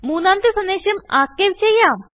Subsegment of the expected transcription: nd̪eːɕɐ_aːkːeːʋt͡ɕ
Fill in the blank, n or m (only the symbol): m